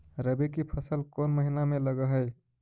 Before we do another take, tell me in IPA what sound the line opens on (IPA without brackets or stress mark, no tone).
ɾ